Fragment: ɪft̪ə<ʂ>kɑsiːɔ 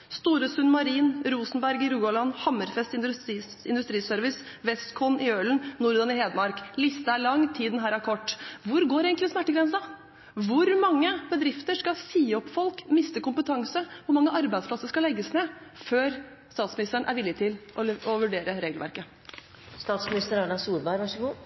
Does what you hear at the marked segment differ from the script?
no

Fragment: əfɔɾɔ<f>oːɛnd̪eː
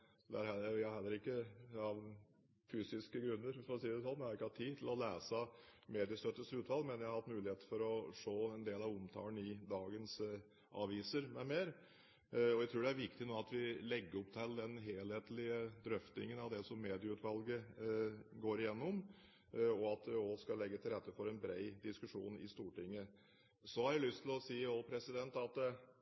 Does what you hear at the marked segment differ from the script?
yes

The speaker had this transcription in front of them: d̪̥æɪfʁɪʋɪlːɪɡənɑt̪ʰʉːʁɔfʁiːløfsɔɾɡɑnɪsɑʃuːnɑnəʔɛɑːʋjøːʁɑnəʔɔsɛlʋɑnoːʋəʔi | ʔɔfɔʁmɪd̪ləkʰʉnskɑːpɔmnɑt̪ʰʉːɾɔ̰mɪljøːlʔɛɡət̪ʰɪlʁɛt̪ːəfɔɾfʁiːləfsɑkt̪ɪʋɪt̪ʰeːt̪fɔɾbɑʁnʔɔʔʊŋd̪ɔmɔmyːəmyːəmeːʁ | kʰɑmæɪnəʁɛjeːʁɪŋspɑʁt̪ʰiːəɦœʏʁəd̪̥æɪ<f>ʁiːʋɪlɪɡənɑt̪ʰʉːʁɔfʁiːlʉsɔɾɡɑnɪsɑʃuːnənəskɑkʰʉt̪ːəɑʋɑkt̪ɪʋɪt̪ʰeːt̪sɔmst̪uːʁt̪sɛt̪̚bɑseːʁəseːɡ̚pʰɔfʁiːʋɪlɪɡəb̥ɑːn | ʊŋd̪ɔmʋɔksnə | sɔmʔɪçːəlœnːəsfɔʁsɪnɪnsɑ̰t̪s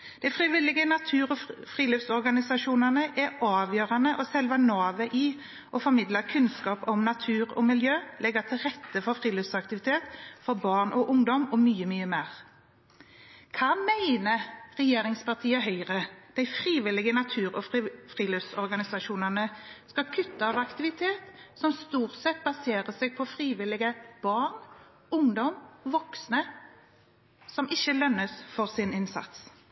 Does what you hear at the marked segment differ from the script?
no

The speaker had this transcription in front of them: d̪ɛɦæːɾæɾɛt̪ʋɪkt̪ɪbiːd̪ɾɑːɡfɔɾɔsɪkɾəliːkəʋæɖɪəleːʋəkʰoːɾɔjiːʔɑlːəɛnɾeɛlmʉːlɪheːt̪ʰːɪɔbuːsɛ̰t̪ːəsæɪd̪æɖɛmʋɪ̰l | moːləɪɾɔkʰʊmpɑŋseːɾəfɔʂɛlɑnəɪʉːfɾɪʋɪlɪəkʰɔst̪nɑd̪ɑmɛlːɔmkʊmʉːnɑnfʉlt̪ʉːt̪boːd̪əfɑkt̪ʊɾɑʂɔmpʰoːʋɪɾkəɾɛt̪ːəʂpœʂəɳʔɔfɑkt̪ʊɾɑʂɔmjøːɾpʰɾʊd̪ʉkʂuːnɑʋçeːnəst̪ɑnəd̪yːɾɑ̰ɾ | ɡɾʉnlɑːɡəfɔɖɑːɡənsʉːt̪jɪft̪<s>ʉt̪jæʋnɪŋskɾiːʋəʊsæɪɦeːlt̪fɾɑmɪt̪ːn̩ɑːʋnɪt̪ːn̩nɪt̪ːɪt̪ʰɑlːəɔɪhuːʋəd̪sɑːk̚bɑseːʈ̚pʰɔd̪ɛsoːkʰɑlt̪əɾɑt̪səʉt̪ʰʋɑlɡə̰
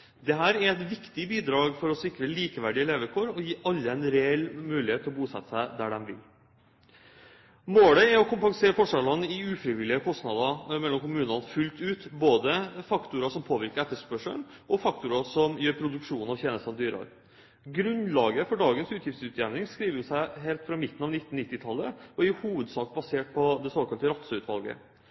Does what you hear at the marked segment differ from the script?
no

